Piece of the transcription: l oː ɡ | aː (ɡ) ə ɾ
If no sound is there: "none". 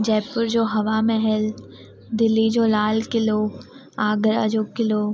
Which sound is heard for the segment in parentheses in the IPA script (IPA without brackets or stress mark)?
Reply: ɡ